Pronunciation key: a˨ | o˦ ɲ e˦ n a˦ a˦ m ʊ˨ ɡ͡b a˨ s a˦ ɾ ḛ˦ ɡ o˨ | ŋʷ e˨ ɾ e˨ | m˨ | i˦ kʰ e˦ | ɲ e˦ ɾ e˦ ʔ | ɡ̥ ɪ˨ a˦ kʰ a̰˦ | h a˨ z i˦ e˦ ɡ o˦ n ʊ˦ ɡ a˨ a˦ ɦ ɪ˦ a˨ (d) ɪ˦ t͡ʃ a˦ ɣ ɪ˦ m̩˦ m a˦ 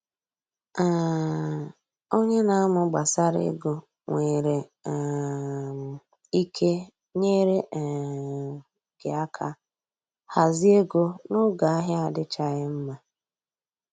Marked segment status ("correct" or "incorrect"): correct